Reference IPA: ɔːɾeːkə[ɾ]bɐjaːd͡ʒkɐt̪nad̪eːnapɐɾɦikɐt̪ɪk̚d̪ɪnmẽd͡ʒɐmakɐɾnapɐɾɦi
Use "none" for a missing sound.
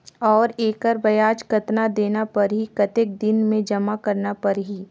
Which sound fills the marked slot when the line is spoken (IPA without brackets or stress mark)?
ɾ